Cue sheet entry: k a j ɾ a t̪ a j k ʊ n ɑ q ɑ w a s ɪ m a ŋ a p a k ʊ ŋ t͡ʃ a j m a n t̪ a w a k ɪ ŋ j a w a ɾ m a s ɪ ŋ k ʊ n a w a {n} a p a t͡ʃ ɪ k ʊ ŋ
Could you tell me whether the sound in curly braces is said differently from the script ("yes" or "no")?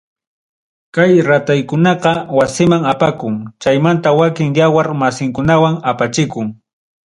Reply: yes